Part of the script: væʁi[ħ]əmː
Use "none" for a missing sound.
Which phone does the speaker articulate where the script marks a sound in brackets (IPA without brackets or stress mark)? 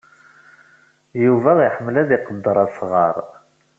ħ